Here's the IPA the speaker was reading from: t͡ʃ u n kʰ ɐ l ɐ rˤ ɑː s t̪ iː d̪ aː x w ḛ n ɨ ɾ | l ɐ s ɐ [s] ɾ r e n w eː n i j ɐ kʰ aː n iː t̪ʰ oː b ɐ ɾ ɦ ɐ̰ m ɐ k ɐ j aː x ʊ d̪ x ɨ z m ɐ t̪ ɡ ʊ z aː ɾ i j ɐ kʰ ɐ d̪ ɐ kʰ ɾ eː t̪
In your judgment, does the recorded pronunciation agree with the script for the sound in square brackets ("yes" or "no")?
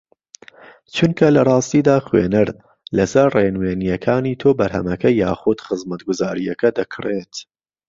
no